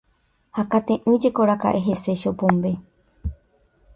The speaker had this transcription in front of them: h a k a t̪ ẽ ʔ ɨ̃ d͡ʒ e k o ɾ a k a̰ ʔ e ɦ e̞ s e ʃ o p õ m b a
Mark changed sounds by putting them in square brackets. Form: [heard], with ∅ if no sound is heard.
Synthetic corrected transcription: h a k a t̪ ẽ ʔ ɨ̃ d͡ʒ e k o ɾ a k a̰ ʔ e ɦ e̞ s e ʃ o p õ m b [e]

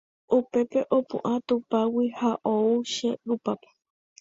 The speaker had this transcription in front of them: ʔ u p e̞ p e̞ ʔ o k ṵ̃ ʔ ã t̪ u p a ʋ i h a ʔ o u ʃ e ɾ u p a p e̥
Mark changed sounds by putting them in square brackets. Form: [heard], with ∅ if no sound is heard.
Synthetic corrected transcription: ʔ u p e̞ p e̞ ʔ o [p] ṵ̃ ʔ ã t̪ u p a [w] i h a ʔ o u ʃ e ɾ u p a p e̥

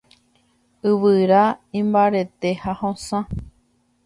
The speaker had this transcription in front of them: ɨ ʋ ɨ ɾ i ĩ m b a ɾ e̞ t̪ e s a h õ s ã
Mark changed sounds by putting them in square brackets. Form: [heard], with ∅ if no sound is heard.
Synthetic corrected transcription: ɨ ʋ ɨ ɾ [a] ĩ m b a ɾ e̞ t̪ e [h] a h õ s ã

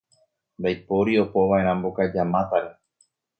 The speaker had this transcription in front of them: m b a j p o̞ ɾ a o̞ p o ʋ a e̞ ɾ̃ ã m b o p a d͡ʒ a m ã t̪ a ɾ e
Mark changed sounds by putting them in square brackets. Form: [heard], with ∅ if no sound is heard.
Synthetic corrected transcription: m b a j p o̞ ɾ [i] o̞ p o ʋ a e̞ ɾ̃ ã m b o [k] a d͡ʒ a m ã t̪ a ɾ e

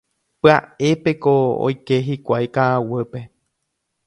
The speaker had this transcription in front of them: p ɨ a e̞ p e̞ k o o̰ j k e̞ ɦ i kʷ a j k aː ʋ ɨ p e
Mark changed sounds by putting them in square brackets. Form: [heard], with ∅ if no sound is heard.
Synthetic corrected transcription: p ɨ a e̞ p e̞ k o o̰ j k e̞ ɦ i kʷ a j k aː [w] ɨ p e

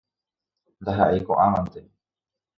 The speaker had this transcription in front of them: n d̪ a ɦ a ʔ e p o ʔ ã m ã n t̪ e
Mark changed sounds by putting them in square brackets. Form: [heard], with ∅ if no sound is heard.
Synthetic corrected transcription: n d̪ a ɦ a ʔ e [k] o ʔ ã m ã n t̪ e

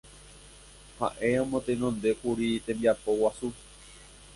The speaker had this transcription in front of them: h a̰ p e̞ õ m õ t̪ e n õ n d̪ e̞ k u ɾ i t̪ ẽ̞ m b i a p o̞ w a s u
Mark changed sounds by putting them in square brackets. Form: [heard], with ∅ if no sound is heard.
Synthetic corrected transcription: h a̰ [ʔ] e̞ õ m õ t̪ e n õ n d̪ e̞ k u ɾ i t̪ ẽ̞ m b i a p o̞ w a s u

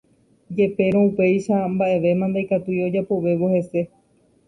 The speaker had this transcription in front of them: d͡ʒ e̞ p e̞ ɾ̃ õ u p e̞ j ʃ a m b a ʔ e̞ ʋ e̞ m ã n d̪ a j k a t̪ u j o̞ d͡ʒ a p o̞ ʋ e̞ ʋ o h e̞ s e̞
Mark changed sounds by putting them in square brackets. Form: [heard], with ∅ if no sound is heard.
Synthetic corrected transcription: d͡ʒ e̞ p e̞ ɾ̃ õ u p e̞ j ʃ a m b a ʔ e̞ ʋ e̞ m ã n d̪ a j k a t̪ u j o̞ d͡ʒ a p o̞ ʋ e̞ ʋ o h e̞ s e̞

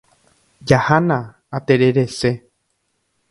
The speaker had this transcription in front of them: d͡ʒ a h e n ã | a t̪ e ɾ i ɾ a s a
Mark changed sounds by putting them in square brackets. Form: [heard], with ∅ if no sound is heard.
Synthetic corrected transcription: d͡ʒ a h [a] n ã | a t̪ e ɾ [e] ɾ [e] s [e]

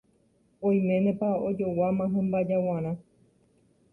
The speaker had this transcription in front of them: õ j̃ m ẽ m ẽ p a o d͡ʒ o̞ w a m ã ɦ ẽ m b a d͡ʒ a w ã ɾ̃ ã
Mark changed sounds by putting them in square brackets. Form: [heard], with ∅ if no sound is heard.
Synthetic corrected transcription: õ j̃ m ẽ [n] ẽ p a o d͡ʒ o̞ w a m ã ɦ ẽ m b a d͡ʒ a w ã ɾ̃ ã

